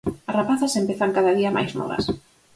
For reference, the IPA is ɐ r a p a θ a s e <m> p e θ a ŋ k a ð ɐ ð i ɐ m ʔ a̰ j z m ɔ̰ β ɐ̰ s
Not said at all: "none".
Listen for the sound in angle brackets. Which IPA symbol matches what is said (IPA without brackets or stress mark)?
m